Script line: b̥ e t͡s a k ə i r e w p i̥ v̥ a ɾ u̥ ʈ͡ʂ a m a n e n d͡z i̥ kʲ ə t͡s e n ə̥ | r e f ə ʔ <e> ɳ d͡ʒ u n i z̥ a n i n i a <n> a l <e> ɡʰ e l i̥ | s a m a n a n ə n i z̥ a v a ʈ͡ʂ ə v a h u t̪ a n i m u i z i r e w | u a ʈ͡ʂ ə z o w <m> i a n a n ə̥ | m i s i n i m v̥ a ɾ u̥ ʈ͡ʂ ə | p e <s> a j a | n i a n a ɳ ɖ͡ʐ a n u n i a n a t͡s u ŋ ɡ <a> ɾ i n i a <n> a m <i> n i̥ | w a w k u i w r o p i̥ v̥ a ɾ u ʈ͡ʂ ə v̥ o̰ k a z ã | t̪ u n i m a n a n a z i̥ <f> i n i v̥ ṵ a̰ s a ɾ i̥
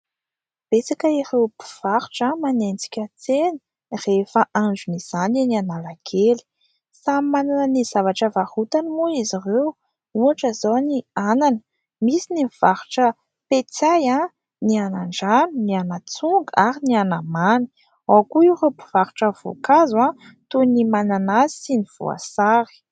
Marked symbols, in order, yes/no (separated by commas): no, yes, no, no, no, yes, yes, no, no